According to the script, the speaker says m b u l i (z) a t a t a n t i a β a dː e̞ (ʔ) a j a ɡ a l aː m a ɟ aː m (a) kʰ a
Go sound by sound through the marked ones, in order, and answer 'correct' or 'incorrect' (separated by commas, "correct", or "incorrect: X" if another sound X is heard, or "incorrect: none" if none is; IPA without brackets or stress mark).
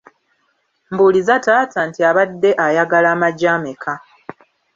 correct, correct, incorrect: e